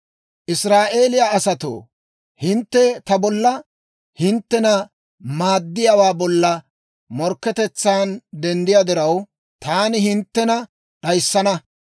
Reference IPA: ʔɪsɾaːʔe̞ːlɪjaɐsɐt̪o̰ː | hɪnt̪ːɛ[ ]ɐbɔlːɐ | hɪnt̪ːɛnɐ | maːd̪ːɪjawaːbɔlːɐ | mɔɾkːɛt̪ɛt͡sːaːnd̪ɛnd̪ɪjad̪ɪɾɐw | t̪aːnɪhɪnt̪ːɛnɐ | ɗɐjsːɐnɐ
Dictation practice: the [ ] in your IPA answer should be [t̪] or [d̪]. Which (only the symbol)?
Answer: t̪